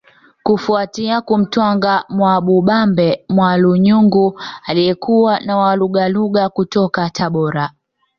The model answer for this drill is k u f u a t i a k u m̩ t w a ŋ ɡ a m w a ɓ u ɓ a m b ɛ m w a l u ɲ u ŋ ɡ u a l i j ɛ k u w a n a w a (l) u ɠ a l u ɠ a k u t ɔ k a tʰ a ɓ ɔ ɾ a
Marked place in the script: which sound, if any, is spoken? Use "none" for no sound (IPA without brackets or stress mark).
l